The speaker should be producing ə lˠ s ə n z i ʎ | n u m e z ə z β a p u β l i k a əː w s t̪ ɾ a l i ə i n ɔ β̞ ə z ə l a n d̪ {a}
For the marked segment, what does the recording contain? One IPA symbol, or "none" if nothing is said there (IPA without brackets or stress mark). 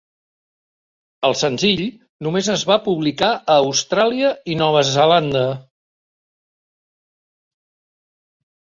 ə